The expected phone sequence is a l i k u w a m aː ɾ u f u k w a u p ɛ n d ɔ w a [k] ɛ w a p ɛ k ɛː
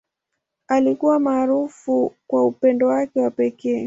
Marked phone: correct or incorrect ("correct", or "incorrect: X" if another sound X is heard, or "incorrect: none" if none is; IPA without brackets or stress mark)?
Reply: correct